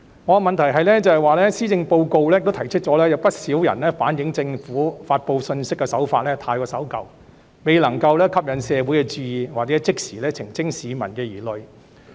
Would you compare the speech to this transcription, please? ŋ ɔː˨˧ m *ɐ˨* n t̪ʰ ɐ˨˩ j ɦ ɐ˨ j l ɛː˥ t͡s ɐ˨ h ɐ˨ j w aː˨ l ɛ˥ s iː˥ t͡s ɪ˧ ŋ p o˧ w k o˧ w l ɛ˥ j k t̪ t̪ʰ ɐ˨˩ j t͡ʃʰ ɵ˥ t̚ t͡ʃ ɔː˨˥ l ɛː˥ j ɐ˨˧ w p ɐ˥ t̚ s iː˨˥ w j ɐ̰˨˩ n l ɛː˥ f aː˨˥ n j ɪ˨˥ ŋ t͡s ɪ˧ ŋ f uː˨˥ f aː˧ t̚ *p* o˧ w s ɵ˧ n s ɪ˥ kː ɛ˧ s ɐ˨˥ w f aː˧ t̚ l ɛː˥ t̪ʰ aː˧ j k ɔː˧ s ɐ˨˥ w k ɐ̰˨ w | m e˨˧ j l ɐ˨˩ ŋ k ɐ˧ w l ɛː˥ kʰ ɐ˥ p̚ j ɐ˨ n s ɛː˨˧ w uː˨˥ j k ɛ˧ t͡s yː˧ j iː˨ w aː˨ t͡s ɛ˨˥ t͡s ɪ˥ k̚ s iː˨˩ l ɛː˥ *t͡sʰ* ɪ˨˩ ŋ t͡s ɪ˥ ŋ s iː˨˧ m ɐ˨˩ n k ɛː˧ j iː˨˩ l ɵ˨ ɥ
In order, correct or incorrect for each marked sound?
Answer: correct, correct, correct

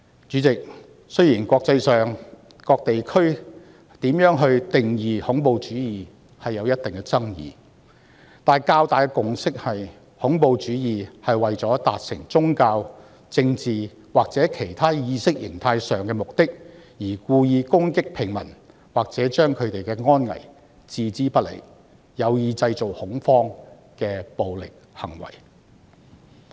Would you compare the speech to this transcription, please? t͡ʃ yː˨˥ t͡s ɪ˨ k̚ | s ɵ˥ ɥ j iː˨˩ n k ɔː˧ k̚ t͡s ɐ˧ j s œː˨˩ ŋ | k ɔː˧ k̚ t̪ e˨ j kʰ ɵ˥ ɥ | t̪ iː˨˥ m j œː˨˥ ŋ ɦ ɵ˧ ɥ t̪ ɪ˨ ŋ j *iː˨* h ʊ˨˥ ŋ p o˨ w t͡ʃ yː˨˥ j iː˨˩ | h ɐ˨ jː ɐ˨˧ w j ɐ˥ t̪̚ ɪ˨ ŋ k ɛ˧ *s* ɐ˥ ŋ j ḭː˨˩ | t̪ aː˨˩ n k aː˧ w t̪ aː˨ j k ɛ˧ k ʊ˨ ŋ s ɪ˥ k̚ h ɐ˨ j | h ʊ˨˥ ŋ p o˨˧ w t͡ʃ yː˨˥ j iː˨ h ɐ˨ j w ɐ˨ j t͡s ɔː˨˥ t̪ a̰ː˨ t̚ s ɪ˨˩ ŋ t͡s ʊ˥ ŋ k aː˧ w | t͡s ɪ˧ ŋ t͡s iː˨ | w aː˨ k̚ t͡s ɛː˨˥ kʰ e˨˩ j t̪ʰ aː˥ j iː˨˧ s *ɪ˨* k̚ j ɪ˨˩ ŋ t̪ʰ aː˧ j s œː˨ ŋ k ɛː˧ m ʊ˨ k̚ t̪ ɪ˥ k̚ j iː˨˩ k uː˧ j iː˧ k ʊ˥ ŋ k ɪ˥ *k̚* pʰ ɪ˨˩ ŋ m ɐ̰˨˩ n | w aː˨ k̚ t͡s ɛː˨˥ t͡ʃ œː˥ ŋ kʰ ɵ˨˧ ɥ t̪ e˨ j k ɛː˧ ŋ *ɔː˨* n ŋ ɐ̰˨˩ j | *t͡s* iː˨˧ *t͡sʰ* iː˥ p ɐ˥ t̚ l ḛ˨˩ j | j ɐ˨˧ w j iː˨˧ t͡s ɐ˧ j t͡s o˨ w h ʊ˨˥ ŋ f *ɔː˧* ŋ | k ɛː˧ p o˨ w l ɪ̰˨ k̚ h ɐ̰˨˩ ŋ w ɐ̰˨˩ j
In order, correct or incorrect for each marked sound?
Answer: correct, incorrect: t͡s, incorrect: ɪ˥, correct, incorrect: ɔː˥, correct, incorrect: t͡s, incorrect: ɔː˥

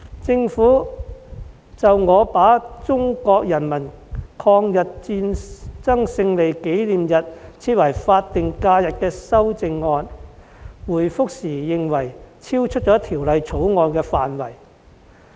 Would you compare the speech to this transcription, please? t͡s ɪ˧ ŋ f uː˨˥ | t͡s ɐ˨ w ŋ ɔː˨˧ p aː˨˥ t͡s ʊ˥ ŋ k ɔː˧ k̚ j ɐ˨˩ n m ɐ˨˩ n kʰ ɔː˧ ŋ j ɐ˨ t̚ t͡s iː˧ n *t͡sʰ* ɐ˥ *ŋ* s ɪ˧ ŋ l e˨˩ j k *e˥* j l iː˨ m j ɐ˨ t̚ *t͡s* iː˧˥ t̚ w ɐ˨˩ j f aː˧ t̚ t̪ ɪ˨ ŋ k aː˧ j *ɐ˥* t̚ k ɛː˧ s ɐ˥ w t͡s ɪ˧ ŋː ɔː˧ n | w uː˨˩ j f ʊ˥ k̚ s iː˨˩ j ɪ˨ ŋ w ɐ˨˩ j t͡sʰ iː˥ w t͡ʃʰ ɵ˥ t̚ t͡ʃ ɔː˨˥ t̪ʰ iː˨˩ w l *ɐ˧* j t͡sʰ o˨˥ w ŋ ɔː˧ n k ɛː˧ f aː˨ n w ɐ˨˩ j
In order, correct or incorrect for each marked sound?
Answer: incorrect: t͡s, correct, incorrect: e˨˥, incorrect: t͡sʰ, incorrect: ɐ˨, correct

